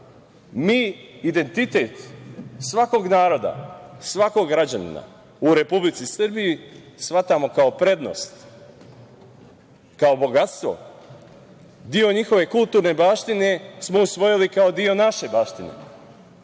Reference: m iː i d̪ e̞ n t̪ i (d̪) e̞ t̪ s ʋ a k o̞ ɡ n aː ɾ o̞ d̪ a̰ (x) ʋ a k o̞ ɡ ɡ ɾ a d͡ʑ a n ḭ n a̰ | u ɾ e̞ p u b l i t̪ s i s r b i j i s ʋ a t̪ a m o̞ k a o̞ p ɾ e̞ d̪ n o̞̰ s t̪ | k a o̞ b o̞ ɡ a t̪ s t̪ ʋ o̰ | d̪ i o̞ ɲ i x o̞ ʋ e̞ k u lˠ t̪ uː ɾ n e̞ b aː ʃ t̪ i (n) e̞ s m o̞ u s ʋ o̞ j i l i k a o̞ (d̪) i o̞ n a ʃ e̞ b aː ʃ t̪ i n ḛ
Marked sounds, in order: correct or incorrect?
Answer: incorrect: t̪, incorrect: s, correct, correct

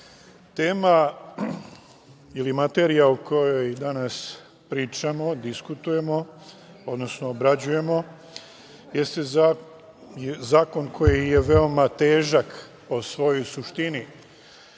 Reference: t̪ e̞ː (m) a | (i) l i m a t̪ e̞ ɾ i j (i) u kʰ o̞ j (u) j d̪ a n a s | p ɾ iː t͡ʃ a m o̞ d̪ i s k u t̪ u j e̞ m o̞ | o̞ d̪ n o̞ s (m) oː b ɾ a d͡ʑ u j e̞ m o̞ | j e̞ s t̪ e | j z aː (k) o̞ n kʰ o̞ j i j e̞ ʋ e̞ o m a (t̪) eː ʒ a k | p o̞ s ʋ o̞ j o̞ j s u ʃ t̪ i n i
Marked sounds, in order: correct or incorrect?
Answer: correct, correct, incorrect: a, incorrect: o, incorrect: n, correct, correct

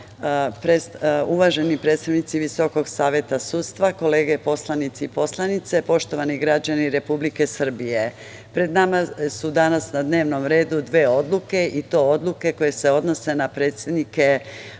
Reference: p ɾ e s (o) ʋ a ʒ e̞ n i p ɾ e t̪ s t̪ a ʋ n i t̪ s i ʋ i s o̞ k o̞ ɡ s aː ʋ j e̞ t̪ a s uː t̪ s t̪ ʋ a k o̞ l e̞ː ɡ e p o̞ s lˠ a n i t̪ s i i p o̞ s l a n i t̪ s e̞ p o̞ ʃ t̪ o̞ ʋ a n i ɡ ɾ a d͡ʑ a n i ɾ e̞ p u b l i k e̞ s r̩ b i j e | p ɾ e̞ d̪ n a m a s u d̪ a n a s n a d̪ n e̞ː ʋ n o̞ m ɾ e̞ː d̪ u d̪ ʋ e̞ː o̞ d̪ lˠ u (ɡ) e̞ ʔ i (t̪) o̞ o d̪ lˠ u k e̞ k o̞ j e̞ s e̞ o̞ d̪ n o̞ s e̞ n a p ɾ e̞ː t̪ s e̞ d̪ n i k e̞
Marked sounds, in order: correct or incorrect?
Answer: incorrect: u, incorrect: k, correct

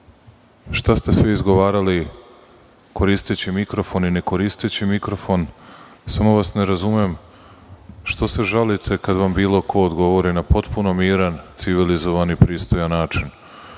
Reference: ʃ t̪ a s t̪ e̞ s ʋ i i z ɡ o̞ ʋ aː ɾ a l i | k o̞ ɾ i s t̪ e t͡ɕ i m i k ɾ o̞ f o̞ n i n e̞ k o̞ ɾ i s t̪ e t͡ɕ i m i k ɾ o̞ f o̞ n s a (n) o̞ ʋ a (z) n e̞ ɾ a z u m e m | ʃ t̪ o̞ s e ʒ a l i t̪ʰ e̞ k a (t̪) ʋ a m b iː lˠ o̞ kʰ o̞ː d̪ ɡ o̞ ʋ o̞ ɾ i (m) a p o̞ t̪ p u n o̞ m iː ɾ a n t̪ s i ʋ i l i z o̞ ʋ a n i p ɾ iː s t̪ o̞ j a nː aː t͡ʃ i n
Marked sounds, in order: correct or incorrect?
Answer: incorrect: m, incorrect: s, incorrect: d̪, incorrect: n

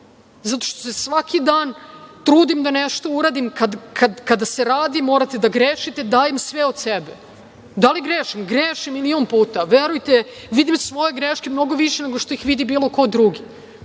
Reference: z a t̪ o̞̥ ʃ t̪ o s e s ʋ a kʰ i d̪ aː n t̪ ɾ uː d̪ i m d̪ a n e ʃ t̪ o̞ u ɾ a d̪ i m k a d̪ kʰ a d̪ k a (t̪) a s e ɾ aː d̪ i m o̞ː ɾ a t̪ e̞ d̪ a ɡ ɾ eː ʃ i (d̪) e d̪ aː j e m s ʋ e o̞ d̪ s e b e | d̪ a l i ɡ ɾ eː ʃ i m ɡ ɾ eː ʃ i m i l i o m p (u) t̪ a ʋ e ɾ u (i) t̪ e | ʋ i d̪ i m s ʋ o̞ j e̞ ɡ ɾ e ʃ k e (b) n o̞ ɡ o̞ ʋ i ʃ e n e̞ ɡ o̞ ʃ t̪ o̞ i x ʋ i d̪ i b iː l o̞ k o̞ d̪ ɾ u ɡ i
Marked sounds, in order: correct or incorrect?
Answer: incorrect: d̪, incorrect: t̪, incorrect: uː, incorrect: j, incorrect: m

